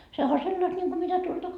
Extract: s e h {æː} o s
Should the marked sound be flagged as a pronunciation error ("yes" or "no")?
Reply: yes